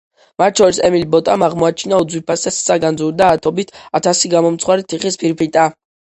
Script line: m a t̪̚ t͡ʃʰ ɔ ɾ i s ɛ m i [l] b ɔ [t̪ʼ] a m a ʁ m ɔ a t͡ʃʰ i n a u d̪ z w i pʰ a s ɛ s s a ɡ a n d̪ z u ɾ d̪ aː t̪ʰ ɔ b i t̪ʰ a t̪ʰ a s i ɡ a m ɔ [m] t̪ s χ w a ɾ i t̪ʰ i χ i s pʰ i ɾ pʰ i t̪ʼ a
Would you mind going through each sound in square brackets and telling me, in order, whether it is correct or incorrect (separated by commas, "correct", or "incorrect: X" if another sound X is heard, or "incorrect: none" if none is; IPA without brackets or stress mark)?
correct, correct, correct